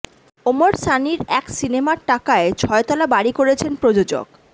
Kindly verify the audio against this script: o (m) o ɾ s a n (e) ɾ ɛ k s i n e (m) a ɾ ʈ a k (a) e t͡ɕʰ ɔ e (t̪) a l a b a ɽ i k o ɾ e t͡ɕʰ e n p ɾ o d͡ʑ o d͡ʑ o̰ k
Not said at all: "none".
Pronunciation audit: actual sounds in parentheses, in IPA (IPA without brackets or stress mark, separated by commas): m, i, m, a, t̪